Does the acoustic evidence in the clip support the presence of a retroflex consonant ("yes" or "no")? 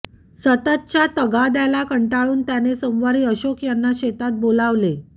yes